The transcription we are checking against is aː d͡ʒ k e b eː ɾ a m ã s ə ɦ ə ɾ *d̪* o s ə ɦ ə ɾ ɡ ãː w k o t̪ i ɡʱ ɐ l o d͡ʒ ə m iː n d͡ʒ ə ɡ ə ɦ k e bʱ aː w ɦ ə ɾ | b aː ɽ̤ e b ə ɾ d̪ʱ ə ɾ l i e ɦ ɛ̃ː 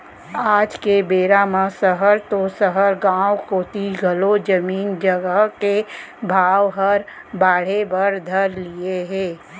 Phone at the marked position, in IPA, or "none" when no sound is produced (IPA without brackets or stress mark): t̪